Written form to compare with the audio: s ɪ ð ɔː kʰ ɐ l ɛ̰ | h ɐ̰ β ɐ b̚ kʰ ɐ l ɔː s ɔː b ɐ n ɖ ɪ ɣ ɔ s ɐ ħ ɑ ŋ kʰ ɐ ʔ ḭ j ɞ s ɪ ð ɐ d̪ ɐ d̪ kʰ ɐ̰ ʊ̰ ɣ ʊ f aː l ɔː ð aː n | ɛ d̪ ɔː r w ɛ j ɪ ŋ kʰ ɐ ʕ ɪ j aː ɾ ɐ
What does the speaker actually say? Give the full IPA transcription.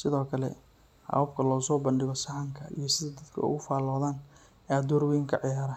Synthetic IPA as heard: s ɪ ð ɔː kʰ ɐ l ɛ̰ | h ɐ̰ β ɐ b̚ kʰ ɐ l ɔː s ɔː b ɐ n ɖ ɪ ɣ ɔ s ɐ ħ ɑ ŋ kʰ ɐ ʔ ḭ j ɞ s ɪ ð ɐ d̪ ɐ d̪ kʰ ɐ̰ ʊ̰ ɣ ʊ f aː l ɔː ð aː n | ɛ d̪ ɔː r w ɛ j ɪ ŋ kʰ ɐ ʕ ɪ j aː ɾ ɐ

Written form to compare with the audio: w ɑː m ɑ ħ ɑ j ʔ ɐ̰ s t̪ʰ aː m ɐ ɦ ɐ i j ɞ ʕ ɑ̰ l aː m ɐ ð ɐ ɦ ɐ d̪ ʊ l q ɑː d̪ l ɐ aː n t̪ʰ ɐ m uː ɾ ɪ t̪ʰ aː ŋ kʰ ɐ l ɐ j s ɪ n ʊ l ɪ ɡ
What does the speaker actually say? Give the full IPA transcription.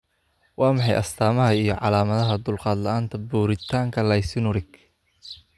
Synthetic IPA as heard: w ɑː m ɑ ħ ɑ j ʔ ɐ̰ s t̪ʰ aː m ɐ ɦ ɐ i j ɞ ʕ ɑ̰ l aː m ɐ ð ɐ ɦ ɐ d̪ ʊ l q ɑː d̪ l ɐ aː n t̪ʰ ɐ b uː ɾ ɪ t̪ʰ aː ŋ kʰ ɐ l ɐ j s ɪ n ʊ ɾ ɪ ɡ

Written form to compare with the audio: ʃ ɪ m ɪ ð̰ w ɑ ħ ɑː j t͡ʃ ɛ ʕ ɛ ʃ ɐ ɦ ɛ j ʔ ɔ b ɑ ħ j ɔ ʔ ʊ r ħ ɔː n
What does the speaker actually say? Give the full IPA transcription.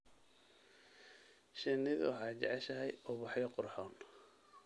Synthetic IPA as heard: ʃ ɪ n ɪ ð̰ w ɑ ħ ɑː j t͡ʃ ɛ ʕ ɛ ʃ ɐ ɦ ɛ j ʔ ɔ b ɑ ħ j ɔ q ʊ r ħ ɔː n

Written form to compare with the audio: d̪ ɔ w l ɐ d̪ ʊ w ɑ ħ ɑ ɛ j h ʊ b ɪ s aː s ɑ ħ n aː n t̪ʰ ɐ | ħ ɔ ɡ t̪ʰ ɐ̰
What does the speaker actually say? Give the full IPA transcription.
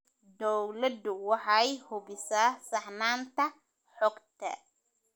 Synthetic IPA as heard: d̪ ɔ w l ɐ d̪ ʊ w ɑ ħ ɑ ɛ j h ʊ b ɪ s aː s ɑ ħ n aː n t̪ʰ ɐ | ħ ɔ ɡ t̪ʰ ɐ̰

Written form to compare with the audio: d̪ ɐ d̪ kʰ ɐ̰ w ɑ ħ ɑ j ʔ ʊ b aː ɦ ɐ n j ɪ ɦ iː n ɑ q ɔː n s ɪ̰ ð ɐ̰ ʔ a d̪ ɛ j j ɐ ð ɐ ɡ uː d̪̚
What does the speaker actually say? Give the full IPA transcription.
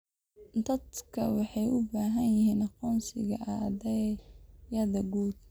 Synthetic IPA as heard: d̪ ɐ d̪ kʰ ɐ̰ w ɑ ħ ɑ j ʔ ʊ b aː ɦ ɐ n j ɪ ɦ iː n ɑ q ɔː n s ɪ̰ ɣ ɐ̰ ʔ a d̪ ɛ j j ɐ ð ɐ ɡ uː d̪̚

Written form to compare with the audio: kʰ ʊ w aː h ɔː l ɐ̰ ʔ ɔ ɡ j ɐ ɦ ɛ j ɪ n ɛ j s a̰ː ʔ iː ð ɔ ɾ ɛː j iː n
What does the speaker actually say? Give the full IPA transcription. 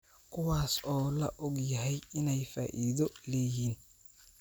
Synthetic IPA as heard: kʰ ʊ w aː s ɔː l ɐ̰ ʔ ɔ ɡ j ɐ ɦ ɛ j ɪ n ɛ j f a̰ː ʔ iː ð ɔ l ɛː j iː n

